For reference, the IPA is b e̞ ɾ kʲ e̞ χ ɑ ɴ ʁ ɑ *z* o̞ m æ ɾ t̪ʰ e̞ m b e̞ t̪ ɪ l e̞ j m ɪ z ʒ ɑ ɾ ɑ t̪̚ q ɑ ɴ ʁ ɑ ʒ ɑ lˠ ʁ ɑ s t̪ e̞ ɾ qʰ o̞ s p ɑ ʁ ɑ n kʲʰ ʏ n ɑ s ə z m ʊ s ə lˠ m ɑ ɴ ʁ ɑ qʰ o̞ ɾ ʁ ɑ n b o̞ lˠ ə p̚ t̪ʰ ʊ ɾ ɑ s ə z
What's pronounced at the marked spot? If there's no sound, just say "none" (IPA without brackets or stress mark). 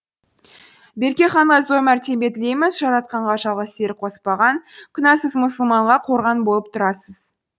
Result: z